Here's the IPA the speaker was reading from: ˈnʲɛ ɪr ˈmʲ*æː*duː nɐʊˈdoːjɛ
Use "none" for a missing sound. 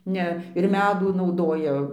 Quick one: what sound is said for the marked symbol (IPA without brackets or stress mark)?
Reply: æː